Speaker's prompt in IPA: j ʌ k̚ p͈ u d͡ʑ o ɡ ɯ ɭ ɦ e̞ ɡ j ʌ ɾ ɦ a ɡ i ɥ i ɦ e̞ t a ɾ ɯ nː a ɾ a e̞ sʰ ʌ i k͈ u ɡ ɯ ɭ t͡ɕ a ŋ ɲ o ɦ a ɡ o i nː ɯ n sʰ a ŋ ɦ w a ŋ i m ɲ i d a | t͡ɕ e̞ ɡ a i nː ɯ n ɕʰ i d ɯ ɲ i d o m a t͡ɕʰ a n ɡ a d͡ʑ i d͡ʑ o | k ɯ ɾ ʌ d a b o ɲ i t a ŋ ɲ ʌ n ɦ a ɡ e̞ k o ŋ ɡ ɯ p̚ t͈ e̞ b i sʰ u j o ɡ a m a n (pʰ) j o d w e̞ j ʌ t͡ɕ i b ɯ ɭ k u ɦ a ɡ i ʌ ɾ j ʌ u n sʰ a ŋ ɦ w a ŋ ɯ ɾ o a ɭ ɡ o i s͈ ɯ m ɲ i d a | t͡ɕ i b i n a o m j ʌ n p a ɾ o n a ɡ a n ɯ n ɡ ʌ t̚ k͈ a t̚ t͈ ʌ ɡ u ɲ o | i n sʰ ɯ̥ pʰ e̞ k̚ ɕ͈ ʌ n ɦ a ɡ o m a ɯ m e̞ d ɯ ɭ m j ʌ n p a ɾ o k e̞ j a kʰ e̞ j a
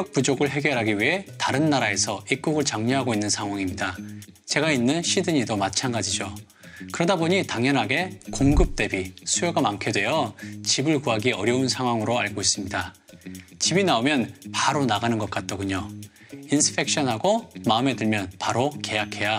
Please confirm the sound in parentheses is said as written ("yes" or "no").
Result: no